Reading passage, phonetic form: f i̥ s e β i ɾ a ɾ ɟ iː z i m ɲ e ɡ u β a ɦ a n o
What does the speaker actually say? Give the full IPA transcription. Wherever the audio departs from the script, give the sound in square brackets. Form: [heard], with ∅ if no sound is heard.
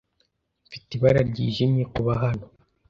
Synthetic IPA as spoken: f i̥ [t] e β [a] ɾ a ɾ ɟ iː [ʒ] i m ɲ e [k] u β a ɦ a n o